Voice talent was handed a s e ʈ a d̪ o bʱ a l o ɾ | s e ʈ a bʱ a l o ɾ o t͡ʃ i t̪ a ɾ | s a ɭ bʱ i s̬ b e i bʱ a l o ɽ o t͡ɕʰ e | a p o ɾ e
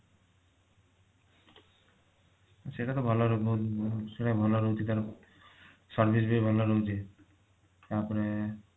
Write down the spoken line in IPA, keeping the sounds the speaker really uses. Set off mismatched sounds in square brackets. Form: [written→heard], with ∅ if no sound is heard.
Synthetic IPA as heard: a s e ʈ a [d̪→t̪] o bʱ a l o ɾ | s e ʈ a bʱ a l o ɾ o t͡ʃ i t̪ a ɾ | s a [ɭ→ɾ] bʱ i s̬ b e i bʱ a l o [ɽ→ɾ] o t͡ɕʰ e | a p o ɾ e